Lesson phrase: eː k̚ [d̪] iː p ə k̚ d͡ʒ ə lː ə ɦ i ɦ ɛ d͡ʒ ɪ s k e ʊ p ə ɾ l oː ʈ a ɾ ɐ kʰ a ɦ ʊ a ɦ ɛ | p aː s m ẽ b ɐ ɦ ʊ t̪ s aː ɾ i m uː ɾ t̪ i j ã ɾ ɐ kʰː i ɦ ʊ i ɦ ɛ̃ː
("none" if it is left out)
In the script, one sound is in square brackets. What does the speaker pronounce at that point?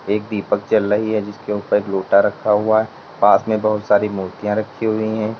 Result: d̪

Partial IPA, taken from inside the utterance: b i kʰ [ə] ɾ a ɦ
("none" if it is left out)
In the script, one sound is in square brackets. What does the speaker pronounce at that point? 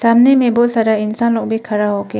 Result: a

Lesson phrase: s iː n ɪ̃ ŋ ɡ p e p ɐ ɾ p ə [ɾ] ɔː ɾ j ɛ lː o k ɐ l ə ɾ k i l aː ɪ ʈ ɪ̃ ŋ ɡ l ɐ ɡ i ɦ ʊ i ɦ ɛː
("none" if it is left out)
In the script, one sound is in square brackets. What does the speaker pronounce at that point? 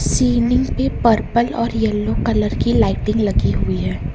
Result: l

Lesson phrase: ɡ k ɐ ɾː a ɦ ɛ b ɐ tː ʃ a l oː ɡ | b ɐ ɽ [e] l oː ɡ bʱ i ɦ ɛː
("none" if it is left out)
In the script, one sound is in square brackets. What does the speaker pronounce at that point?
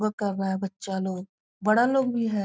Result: a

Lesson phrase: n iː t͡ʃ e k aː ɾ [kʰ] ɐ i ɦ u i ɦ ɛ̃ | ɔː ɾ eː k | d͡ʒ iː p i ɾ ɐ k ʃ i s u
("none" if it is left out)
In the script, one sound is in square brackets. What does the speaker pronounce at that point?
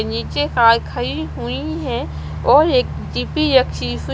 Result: kʰ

